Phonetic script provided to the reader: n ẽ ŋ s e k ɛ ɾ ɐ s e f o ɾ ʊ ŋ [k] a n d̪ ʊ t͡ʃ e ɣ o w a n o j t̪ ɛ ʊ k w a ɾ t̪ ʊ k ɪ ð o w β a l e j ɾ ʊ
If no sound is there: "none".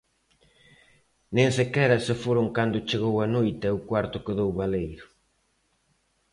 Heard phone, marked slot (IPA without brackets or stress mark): k